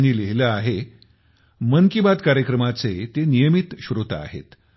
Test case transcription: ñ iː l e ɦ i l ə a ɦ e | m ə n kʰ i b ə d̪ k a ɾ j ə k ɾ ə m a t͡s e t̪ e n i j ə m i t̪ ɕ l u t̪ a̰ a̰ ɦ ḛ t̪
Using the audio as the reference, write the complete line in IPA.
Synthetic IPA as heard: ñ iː l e ɦ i l ə a ɦ e | m ə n k i b a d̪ k a ɾ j ə k ɾ ə m a t͡s e t̪ e n i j ə m i t̪ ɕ ɾ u t̪ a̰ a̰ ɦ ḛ t̪

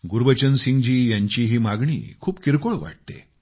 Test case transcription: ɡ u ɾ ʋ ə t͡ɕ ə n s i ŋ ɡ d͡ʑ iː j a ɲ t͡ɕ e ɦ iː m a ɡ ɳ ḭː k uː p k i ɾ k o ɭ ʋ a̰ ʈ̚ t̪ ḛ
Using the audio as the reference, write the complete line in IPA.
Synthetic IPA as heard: ɡ u ɾ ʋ ə t͡ɕ ə n s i ŋ ɡ d͡ʑ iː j a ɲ t͡ɕ i ɦ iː m a ɡ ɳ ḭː kʰ uː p k i ɾ k o ɭ ʋ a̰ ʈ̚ t̪ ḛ

